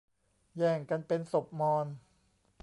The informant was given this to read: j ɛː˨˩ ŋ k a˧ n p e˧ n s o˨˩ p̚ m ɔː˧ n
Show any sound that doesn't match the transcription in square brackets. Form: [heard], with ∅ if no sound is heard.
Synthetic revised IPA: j ɛː˨˩ ŋ k a˧ n p e˧ n s o˨˩ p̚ m ɔː˧ n